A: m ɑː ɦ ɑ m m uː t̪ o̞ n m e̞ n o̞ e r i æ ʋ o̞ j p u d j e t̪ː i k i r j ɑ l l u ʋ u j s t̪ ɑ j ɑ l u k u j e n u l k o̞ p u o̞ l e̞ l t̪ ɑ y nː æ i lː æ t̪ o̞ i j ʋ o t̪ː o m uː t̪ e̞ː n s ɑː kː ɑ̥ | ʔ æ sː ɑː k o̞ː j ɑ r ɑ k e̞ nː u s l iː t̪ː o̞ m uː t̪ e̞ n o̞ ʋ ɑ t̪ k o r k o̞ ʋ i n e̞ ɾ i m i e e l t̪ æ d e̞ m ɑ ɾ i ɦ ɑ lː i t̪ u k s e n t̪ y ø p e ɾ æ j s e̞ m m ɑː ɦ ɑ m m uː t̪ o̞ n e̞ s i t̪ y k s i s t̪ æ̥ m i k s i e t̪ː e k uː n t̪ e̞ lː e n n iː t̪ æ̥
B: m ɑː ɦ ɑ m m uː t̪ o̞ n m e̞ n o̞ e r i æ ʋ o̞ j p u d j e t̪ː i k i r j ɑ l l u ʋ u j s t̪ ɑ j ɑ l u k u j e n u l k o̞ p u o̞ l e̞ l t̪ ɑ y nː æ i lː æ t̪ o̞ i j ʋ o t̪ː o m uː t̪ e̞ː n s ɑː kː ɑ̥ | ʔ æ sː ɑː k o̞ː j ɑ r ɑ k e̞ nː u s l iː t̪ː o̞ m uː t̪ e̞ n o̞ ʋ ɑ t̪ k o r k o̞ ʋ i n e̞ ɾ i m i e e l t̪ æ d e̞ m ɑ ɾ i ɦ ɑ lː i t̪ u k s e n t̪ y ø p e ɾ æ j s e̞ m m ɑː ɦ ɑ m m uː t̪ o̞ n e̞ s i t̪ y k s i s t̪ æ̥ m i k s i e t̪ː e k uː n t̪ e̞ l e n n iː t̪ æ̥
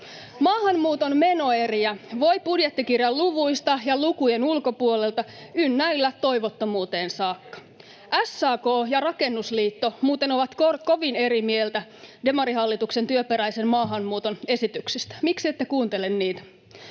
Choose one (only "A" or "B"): B